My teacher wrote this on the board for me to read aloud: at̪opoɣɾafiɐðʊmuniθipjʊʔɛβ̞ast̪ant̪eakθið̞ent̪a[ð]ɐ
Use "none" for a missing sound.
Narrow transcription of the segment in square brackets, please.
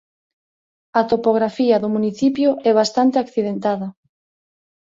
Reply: ð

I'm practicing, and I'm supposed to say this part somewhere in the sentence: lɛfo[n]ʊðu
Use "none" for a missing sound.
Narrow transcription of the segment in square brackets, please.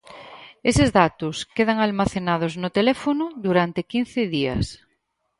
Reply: n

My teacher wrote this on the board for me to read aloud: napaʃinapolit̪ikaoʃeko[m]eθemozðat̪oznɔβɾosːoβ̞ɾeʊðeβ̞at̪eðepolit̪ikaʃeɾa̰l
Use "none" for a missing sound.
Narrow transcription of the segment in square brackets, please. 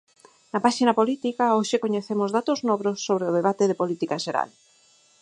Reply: ɲ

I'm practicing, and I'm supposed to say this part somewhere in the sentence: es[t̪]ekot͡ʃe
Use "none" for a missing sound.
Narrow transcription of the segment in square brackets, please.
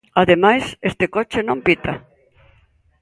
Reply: t̪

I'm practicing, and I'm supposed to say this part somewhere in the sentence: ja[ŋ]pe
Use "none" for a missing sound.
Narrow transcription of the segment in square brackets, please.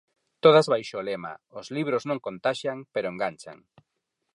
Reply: ŋ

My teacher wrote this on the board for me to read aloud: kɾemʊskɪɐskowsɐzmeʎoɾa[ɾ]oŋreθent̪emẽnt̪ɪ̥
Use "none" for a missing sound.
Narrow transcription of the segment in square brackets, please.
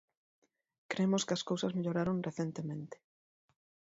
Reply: ɾ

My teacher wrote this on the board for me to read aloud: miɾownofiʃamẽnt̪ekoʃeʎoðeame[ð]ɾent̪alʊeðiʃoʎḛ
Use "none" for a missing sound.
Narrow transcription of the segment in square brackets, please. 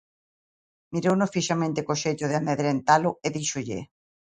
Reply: ð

